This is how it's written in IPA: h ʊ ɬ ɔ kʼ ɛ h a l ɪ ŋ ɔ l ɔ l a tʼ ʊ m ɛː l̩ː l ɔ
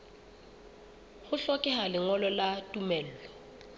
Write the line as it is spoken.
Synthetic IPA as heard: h ʊ ɬ ɔ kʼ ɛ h a l ɪ ŋ ɔ l ɔ l a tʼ u m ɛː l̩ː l ɔ